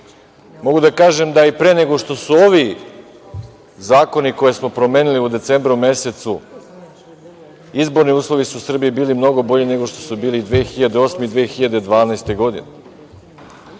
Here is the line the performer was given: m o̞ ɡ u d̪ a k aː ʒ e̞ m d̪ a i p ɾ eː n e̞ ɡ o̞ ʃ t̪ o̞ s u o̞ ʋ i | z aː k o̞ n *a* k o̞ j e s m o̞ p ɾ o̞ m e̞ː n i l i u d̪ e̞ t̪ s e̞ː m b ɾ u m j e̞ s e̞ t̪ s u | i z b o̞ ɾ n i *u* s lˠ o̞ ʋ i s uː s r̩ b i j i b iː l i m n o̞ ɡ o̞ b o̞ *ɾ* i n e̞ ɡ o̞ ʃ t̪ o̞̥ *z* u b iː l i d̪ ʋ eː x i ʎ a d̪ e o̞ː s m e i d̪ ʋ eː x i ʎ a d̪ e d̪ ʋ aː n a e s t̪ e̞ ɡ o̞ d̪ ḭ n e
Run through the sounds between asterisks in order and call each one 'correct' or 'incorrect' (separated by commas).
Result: incorrect, incorrect, incorrect, incorrect